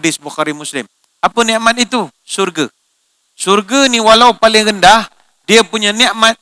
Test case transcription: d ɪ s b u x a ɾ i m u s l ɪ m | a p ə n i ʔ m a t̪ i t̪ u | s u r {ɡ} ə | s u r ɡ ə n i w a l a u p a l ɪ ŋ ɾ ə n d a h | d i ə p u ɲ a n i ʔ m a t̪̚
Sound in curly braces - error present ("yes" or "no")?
no